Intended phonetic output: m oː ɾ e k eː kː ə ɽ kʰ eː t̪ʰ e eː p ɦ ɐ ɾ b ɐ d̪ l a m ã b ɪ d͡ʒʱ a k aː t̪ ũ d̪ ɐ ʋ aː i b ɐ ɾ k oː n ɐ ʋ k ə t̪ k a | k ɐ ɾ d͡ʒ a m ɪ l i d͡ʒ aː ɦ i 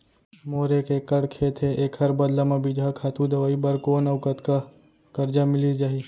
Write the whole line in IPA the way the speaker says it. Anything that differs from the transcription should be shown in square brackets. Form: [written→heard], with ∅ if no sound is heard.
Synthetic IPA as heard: m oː ɾ e k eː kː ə ɽ kʰ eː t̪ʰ e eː [p→k] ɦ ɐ ɾ b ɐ d̪ l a m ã b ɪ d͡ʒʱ a [k→kʰ] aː t̪ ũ d̪ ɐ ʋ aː i b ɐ ɾ k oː n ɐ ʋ k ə t̪ k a | k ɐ ɾ d͡ʒ a m ɪ l i d͡ʒ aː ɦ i